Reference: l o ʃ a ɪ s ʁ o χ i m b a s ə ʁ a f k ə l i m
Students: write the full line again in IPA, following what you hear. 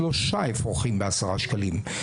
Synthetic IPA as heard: l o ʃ a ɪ f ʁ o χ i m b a s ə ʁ a ʃ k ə l i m